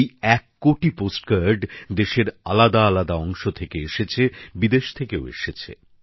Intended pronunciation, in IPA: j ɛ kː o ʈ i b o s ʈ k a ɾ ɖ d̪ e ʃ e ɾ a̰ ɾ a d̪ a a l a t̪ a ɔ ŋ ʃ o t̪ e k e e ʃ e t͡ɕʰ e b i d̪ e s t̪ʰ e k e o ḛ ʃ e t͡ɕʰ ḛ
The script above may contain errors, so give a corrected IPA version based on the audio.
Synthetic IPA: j ɛ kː o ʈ i p o s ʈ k a ɾ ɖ d̪ e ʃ e ɾ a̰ l a d̪ a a l a d̪ a ɔ ŋ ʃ o t̪ʰ e k e e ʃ e t͡ɕʰ e b i d̪ e ʃ t̪ʰ e k e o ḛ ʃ e t͡ɕʰ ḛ